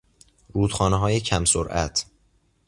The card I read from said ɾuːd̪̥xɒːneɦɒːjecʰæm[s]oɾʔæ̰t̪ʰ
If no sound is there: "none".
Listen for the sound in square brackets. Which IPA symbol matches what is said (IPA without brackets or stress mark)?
s